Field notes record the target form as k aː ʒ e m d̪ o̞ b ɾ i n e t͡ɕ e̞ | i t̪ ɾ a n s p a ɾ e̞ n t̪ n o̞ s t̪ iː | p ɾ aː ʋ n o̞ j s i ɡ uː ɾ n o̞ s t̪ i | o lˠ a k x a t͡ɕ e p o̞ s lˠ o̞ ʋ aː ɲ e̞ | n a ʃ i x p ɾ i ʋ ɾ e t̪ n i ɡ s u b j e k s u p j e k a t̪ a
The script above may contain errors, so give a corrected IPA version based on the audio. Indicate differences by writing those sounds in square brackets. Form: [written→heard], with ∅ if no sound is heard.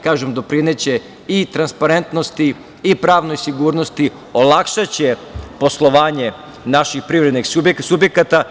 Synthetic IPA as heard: k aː ʒ e m d̪ o̞ [b→p] ɾ i n e t͡ɕ e̞ | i t̪ ɾ a n s p a ɾ e̞ n t̪ n o̞ s t̪ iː | p ɾ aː ʋ n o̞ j s i ɡ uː ɾ n o̞ s t̪ i | o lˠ a k [x→ʃ] a t͡ɕ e p o̞ s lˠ o̞ ʋ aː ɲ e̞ | n a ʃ i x p ɾ i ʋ ɾ e [t̪→d̪] n i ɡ s u b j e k s u [p→b] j e k a t̪ a